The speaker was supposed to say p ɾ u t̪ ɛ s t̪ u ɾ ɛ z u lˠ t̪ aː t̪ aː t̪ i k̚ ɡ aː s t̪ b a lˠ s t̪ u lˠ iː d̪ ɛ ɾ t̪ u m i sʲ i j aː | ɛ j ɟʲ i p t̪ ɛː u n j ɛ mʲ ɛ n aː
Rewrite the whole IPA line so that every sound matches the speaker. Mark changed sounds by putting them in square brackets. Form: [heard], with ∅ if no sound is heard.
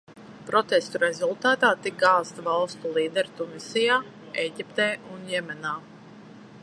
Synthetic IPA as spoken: p ɾ [ɔ] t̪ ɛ s t̪ u ɾ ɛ z u lˠ t̪ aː t̪ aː t̪ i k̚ ɡ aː s t̪ [v] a lˠ s t̪ u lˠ iː d̪ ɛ ɾ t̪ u m i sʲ i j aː | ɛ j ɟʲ i p t̪ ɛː u n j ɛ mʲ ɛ n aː